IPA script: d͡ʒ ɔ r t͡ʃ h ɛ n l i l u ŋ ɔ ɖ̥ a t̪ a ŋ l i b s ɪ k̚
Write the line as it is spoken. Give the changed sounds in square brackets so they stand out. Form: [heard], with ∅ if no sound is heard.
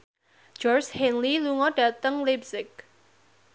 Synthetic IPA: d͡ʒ ɔ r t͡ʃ h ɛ n l i l u ŋ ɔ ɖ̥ a t̪ [ə] ŋ l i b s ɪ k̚